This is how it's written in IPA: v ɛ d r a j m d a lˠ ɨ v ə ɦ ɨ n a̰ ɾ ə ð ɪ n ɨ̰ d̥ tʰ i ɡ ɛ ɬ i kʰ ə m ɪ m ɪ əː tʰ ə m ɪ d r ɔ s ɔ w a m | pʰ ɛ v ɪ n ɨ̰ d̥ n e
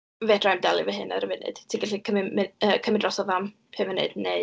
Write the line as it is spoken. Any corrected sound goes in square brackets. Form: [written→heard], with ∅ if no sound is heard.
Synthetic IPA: v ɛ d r a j m d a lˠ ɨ v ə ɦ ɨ n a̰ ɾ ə [ð→v] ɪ n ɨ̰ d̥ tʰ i ɡ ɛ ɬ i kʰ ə m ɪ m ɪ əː [tʰ→kʰ] ə m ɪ d r ɔ s ɔ [w→v] a m | pʰ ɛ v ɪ n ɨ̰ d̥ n e